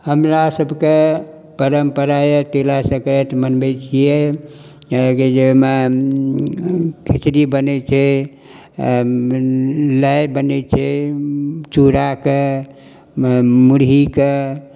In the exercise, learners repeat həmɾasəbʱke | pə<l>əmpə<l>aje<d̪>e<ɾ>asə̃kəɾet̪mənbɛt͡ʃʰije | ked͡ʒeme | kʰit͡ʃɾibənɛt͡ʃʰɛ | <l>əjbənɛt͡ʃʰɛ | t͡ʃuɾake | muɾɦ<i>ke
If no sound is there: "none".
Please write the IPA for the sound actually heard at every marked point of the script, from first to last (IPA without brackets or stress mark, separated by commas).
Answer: ɾ, ɾ, t̪, l, l, i